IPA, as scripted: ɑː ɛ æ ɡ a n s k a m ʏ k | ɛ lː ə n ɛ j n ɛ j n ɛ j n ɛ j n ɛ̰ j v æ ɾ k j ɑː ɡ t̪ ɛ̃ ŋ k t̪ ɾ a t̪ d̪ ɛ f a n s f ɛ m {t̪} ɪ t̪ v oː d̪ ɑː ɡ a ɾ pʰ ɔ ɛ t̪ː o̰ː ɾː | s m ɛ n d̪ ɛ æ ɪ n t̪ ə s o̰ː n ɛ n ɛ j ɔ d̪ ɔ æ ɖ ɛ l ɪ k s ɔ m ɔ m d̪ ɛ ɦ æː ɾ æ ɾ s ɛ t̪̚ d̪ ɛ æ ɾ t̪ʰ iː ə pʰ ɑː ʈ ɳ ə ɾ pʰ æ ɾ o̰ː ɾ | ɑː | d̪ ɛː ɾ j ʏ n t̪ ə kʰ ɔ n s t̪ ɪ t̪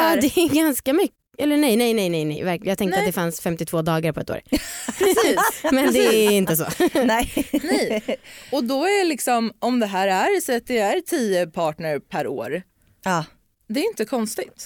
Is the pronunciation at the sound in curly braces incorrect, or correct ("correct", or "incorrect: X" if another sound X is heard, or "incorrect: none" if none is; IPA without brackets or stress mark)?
correct